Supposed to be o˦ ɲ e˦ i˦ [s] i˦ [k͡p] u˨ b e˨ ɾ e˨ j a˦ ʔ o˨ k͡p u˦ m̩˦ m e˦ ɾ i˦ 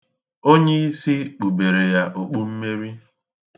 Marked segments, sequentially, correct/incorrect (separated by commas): correct, correct